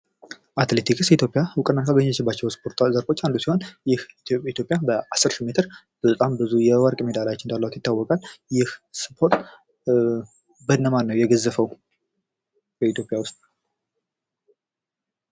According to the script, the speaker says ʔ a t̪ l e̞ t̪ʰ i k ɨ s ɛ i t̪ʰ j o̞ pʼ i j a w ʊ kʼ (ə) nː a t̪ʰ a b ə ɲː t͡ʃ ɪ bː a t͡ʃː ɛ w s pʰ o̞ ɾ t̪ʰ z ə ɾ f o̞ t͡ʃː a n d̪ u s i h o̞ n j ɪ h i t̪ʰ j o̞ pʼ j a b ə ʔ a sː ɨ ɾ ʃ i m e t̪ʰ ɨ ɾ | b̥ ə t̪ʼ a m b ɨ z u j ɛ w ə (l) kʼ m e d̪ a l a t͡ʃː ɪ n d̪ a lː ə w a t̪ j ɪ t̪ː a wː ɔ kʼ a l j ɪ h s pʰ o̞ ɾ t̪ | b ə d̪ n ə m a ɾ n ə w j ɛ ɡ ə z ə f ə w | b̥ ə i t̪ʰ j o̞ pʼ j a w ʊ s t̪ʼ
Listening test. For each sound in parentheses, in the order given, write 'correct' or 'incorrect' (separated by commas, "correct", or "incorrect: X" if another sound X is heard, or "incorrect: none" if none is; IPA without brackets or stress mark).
correct, incorrect: ɾ